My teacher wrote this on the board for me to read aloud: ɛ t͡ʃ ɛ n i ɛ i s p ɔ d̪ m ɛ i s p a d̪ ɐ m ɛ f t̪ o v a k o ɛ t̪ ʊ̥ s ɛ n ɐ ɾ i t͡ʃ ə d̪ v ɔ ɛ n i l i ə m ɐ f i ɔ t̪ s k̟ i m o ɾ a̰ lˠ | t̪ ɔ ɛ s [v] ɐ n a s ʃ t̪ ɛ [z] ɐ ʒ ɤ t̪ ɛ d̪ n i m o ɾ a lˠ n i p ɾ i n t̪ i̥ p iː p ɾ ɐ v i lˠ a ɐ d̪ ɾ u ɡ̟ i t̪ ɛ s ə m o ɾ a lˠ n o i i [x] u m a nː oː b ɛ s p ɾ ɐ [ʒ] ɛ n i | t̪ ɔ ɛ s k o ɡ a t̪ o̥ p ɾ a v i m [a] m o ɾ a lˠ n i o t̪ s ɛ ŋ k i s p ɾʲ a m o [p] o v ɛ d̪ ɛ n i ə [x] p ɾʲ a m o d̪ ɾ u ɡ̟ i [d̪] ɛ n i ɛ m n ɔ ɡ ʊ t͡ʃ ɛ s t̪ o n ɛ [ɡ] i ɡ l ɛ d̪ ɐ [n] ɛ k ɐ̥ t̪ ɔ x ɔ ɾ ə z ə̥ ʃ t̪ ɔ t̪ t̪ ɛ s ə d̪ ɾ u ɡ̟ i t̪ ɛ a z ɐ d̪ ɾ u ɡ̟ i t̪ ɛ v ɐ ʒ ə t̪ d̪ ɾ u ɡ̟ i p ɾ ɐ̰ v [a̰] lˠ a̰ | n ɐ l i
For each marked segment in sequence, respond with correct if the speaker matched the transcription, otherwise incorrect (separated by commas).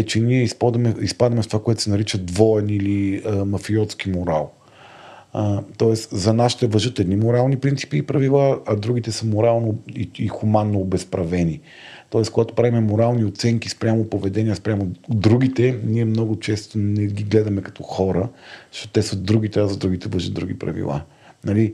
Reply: incorrect, incorrect, correct, incorrect, incorrect, correct, incorrect, incorrect, correct, incorrect, incorrect